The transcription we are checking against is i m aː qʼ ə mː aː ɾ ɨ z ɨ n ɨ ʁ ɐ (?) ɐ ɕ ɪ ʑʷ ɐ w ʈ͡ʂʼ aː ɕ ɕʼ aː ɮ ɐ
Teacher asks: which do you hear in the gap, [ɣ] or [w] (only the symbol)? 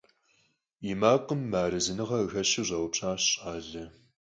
ɣ